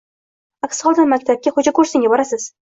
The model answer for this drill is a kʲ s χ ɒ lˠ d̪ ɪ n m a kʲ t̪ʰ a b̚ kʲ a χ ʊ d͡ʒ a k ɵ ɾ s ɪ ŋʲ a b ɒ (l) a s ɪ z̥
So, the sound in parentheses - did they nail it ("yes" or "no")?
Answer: no